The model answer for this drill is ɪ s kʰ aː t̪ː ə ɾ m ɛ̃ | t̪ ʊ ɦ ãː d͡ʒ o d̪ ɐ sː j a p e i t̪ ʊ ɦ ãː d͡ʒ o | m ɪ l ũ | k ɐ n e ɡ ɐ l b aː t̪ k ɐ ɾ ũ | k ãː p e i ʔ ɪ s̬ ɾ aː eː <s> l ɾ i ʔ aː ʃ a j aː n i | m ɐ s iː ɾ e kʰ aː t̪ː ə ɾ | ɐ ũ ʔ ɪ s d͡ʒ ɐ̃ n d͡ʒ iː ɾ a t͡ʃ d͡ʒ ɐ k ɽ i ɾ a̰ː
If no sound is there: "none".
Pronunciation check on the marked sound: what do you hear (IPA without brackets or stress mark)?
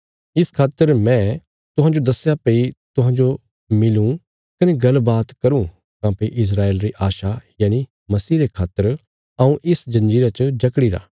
none